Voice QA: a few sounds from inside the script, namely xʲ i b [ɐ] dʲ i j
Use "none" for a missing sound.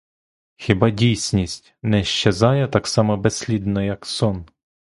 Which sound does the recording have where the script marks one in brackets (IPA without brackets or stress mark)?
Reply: ɑ